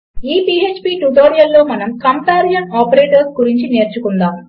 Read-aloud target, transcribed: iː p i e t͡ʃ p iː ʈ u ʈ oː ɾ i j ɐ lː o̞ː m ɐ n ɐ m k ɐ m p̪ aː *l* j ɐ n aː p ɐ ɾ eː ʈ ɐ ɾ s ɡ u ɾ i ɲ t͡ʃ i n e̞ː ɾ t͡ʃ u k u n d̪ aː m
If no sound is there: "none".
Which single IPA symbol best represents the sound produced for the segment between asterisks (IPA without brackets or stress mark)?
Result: ɾ